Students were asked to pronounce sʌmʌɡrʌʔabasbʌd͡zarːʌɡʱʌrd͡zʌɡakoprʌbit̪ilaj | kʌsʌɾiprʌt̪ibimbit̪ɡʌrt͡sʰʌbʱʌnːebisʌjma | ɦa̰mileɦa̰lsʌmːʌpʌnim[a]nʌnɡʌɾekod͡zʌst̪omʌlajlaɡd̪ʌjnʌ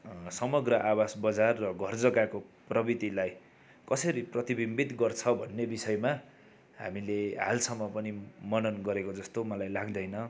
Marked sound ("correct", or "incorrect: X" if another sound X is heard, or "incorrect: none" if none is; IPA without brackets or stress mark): incorrect: ʌ